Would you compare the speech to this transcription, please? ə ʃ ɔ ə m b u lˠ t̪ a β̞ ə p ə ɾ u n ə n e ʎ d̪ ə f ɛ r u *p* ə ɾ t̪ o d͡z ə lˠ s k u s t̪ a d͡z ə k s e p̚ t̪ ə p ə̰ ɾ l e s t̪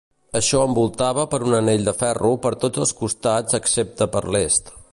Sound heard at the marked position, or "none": p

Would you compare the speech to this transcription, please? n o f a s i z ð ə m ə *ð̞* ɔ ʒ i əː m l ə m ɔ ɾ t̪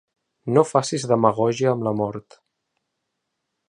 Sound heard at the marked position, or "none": ɣ̞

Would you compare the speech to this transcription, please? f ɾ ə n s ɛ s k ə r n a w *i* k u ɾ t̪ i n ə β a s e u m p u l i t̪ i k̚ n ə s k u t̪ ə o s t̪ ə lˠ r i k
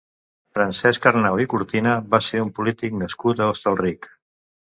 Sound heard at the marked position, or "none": i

